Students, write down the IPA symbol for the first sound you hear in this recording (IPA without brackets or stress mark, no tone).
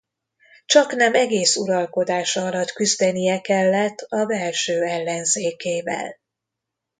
t͡ʃ